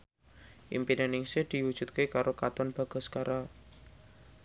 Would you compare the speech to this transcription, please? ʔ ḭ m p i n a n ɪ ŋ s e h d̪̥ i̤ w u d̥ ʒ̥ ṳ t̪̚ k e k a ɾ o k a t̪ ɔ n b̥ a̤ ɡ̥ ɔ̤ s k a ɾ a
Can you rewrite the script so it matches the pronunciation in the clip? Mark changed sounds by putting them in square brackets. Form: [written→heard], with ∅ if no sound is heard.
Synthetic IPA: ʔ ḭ m p i n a n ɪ ŋ s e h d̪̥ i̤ w u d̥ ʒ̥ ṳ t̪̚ k e k a ɾ o k a t̪ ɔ n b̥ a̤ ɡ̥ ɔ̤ s k a ɾ a